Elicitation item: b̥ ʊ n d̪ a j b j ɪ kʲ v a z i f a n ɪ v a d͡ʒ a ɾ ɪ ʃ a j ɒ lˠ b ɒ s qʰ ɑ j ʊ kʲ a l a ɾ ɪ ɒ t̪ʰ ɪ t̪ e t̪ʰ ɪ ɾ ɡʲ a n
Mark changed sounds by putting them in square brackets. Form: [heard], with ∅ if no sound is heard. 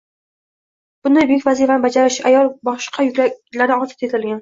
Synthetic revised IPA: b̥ ʊ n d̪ a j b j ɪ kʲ v a z i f a n ɪ [b] a d͡ʒ a ɾ ɪ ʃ a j ɒ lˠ b ɒ [ʃ] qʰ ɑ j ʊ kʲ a l a ɾ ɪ ɒ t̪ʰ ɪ t̪ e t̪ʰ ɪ [l] ɡʲ a n